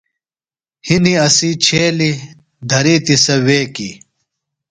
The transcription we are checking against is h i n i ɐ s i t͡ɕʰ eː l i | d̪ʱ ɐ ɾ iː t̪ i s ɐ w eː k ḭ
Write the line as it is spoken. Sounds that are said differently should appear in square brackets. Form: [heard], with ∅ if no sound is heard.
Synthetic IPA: h i n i ɐ s i t͡ɕʰ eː l i | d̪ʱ ɐ ɾ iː t̪ i s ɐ w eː k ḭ